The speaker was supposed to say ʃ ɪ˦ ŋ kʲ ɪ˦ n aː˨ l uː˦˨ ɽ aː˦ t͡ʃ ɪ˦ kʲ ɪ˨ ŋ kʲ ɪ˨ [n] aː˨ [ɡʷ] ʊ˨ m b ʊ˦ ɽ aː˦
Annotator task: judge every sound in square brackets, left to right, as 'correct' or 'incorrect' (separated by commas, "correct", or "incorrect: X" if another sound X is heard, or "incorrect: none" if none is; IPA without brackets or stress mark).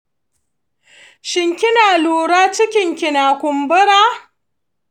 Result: correct, incorrect: kʷ